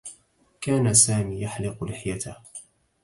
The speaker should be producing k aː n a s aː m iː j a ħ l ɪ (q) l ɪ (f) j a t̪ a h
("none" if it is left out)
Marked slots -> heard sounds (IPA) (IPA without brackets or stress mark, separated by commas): q, ħ